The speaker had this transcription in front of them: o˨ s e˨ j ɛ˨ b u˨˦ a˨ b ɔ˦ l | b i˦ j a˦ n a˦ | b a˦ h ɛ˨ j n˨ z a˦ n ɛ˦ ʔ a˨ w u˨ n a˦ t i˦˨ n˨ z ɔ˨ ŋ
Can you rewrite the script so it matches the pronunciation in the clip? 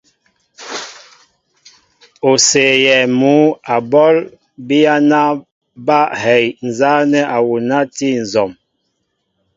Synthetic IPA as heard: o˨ s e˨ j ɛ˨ m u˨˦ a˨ b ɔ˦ l | b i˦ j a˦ n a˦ | b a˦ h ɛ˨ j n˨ z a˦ n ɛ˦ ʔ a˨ w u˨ n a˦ t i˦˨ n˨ z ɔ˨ m